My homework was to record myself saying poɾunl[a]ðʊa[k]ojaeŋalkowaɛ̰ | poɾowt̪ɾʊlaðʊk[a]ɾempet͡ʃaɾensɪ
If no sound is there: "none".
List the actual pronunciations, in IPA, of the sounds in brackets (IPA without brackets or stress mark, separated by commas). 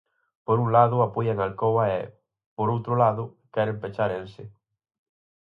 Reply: a, p, ɛ